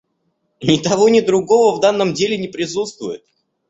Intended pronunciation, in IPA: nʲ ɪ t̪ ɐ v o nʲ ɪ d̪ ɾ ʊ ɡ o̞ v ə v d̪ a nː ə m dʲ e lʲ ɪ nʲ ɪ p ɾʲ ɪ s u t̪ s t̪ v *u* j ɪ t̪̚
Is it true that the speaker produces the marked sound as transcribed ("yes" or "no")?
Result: no